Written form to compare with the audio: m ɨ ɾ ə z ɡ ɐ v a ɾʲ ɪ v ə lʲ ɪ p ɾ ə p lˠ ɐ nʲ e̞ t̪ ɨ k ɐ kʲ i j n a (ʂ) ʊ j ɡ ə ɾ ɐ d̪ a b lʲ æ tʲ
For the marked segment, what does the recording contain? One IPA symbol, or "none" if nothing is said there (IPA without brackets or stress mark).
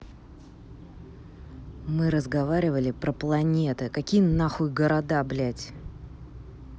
x